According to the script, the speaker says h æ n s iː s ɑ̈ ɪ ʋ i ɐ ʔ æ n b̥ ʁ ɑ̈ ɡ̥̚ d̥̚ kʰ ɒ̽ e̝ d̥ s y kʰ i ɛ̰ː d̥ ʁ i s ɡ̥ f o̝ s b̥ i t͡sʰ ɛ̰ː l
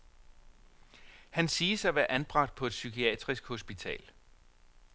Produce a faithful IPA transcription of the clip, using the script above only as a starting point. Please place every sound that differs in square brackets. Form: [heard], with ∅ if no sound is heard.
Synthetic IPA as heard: h æ n s iː s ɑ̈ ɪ ʋ [æ] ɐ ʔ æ n b̥ ʁ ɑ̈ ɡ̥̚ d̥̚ [pʰ] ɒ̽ e̝ d̥ s y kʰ i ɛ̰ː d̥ ʁ i s ɡ̥ [h] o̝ s b̥ i t͡sʰ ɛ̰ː l